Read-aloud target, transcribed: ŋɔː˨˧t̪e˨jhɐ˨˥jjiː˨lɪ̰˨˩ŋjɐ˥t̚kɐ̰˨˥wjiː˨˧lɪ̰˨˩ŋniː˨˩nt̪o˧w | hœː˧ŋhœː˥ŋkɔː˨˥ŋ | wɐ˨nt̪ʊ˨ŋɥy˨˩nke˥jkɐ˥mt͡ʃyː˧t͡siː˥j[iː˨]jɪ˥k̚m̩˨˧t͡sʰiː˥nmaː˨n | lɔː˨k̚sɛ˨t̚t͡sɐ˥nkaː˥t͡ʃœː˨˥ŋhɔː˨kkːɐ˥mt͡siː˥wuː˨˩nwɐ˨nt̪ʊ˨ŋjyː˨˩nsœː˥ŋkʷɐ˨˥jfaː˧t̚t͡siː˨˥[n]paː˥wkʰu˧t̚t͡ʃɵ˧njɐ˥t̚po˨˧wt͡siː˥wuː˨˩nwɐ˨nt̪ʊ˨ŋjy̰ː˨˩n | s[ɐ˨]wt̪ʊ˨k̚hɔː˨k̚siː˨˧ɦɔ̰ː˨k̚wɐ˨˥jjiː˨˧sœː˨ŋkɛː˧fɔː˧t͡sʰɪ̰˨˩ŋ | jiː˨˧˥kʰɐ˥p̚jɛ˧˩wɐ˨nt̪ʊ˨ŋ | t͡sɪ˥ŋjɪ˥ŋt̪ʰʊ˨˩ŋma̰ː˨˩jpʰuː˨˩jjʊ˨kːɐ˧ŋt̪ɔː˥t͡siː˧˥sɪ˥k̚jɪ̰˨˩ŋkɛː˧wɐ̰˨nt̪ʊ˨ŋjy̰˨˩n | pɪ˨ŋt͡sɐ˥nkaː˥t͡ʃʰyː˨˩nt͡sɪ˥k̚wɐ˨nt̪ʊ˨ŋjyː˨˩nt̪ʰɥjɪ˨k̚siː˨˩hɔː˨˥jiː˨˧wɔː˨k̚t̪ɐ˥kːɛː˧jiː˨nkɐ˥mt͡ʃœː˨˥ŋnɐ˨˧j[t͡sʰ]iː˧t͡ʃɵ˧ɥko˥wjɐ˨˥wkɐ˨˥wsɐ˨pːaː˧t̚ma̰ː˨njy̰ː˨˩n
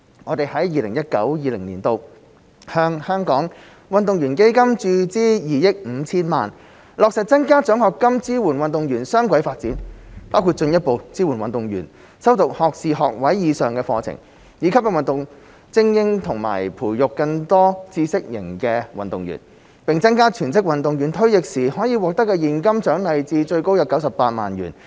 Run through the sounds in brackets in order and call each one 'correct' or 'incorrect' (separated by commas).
correct, correct, incorrect, incorrect